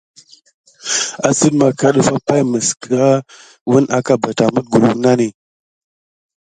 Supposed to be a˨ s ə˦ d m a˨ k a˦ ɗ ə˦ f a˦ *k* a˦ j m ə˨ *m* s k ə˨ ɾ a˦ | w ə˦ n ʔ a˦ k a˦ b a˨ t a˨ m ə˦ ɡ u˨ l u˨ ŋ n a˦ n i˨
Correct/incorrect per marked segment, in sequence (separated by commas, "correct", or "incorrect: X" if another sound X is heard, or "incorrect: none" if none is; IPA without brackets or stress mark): incorrect: p, incorrect: none